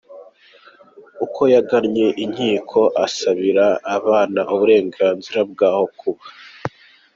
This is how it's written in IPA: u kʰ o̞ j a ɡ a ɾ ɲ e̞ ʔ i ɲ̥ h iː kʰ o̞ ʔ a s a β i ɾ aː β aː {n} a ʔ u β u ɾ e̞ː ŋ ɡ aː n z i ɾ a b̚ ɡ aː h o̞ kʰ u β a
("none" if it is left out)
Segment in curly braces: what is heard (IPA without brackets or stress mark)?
n